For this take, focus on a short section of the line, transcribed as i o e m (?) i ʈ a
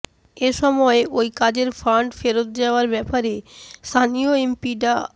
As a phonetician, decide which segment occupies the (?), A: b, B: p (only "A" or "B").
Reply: B